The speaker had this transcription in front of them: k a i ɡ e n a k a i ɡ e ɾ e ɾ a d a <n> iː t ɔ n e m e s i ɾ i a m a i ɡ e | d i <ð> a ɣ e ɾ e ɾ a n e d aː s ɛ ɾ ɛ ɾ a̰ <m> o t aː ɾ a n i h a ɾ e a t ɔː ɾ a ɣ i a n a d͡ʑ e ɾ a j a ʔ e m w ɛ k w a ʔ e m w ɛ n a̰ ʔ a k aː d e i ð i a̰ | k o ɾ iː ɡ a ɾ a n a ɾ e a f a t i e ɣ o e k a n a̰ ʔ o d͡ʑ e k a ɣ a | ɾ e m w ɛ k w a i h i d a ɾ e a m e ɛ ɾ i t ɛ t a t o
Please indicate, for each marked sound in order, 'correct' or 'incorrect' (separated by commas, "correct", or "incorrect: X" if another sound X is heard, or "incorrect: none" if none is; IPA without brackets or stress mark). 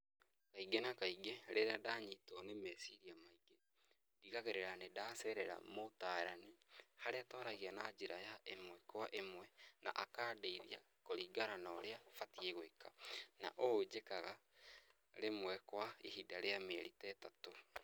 incorrect: ɲ, incorrect: ɣ, correct